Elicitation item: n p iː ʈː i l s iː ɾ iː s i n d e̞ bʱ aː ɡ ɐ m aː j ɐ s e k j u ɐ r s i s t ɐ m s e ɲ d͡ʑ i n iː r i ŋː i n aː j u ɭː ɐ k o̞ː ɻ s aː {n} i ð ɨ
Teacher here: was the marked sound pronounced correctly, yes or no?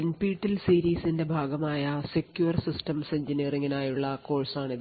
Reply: no